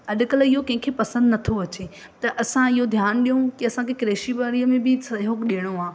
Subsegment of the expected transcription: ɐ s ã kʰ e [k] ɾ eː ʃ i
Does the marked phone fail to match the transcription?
no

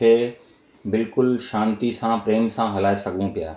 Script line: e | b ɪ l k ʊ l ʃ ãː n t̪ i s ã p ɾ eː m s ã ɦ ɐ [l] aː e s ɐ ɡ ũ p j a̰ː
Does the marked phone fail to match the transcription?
no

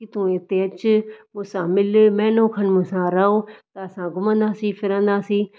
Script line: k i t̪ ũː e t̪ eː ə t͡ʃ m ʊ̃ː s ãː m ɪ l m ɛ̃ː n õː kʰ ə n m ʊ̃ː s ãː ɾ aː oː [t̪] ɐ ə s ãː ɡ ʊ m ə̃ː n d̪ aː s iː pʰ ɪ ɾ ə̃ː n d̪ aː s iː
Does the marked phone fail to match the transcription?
no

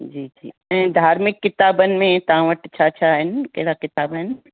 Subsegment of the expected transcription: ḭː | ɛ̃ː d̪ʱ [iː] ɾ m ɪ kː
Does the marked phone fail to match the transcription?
yes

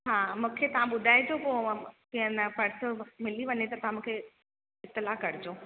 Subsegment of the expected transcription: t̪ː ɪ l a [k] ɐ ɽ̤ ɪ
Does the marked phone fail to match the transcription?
no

